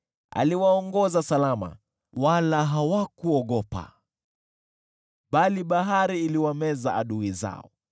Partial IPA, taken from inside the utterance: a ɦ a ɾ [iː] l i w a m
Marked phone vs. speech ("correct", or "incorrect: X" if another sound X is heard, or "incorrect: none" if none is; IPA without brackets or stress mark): correct